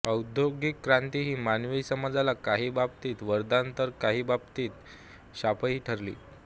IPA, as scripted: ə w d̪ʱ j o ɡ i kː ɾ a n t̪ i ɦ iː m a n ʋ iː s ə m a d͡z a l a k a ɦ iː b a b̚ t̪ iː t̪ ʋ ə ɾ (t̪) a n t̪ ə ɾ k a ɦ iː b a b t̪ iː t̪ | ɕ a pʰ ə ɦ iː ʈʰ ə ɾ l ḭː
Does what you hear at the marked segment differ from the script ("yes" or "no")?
yes